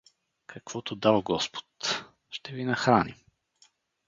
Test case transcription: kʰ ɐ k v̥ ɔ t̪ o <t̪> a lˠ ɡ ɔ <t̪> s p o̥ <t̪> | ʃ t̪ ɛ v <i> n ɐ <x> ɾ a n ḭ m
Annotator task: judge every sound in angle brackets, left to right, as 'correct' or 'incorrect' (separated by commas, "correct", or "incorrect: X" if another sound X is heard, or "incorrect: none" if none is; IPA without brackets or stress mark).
incorrect: d̪, incorrect: none, correct, correct, correct